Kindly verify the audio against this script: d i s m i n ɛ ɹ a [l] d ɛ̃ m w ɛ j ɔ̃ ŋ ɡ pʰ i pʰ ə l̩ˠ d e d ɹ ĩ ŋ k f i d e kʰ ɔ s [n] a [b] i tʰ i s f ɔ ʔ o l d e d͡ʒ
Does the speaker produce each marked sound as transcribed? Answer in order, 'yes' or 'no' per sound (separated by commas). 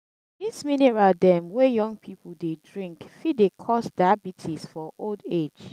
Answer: yes, no, yes